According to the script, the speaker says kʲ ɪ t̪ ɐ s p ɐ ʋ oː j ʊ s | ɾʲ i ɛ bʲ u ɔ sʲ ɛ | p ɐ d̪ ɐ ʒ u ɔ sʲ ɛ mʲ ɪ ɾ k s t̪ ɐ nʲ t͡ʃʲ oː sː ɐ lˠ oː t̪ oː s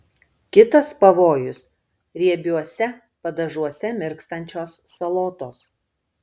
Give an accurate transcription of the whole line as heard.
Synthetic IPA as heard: kʲ ɪ t̪ ɐ s p ɐ ʋ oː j ʊ s | ɾʲ i ɛ bʲ u ɔ sʲ ɛ | p ɐ d̪ ɐ ʒ u ɔ sʲ ɛ mʲ ɪ ɾ k s t̪ ɐ nʲ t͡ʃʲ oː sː ɐ lˠ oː t̪ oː s